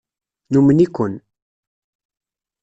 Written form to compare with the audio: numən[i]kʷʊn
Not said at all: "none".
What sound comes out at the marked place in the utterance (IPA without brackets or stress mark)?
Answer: i